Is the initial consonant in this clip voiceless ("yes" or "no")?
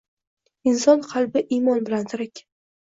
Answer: no